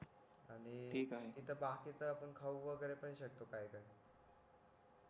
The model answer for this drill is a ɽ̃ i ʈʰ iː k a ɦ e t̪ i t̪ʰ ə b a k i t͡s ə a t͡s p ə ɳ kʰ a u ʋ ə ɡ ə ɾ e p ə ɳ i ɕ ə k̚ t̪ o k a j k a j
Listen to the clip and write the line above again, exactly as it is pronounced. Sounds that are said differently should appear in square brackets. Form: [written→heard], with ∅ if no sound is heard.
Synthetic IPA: a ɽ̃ i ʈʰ iː k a ɦ e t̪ i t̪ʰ ə b a k i t͡s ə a [t͡s→∅] p ə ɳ kʰ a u ʋ ə ɡ ə ɾ e p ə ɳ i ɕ ə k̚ t̪ o k a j k a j